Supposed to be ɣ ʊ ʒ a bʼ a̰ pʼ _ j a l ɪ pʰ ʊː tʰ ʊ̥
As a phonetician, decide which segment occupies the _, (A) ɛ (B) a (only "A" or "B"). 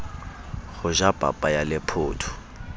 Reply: B